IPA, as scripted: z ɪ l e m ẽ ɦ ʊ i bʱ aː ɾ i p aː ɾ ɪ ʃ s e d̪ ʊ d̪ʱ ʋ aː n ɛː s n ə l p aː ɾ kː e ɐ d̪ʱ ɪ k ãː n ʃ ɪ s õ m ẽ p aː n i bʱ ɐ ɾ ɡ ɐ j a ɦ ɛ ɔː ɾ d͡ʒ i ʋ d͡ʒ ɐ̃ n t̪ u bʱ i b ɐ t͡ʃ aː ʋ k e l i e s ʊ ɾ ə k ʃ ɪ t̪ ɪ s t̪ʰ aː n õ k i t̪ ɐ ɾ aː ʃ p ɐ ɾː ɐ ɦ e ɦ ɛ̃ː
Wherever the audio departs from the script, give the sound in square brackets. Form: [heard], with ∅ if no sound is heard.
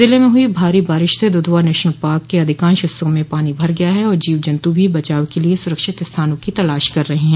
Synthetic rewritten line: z ɪ l e m ẽ ɦ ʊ i bʱ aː ɾ i [b] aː ɾ ɪ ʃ s e d̪ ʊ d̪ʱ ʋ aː n ɛː [ʃ] n ə l p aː ɾ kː e ɐ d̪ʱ ɪ k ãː n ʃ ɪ s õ m ẽ p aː n i bʱ ɐ ɾ ɡ ɐ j a ɦ ɛ ɔː ɾ d͡ʒ [iː] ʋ d͡ʒ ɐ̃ n t̪ u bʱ i b ɐ t͡ʃ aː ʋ k e l i e s ʊ ɾ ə k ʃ ɪ t̪ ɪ s t̪ʰ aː n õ k i t̪ ɐ [l] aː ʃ [k] ɐ ɾː ɐ ɦ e ɦ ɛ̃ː